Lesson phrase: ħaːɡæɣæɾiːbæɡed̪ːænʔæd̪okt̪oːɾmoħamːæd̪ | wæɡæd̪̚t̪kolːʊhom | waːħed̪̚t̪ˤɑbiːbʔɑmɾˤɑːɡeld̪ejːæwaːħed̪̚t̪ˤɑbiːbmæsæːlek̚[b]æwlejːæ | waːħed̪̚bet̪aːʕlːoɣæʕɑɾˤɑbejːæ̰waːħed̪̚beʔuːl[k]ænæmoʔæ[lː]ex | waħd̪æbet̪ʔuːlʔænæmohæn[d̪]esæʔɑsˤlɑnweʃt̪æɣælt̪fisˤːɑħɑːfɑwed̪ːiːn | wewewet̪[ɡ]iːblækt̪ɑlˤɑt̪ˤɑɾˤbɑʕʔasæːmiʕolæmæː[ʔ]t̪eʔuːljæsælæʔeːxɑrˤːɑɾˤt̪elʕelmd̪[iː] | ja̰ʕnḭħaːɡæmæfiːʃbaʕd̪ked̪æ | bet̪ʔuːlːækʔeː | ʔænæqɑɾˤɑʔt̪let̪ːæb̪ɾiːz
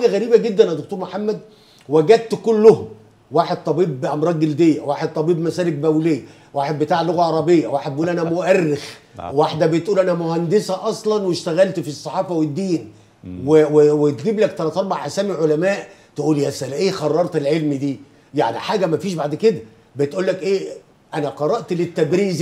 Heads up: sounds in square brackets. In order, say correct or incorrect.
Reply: correct, incorrect, incorrect, correct, correct, correct, correct

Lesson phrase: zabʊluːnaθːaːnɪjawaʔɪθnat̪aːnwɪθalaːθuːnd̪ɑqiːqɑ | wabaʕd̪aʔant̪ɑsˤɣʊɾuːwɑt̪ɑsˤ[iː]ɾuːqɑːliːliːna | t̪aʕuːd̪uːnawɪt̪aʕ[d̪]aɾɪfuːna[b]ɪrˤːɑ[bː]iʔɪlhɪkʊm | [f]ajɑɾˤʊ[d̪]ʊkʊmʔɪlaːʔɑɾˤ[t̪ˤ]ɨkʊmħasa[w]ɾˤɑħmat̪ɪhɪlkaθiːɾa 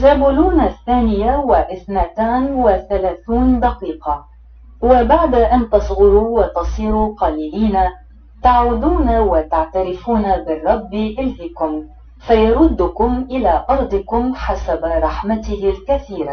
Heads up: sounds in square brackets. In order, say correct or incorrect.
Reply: correct, incorrect, correct, correct, correct, incorrect, incorrect, incorrect

